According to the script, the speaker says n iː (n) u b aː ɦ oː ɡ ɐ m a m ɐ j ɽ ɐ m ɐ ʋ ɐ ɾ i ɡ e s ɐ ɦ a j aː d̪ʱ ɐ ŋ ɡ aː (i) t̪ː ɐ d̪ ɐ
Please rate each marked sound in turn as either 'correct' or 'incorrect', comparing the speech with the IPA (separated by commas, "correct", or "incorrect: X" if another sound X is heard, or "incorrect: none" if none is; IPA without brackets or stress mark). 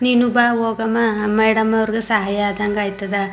correct, incorrect: j